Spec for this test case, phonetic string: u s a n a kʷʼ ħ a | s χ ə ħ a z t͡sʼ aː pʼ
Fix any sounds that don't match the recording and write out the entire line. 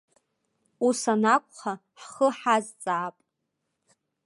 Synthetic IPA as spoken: u s a n a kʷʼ χ a | ħ χ ə ħ a z t͡sʼ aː pʼ